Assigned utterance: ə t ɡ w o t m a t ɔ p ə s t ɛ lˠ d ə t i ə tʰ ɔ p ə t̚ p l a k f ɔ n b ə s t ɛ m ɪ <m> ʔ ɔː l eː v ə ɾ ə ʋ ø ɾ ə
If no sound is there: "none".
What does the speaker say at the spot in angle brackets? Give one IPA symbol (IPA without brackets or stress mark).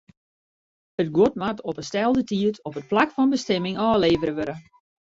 ŋ